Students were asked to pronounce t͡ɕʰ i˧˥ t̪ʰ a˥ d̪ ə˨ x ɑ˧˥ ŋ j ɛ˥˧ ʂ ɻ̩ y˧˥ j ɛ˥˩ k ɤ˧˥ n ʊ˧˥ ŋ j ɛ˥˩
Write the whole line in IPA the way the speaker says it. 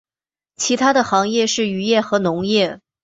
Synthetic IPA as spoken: t͡ɕʰ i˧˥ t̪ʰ a˥ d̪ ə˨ x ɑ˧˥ ŋ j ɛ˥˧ ʂ ɻ̩ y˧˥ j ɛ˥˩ x ɤ˧˥ n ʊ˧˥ ŋ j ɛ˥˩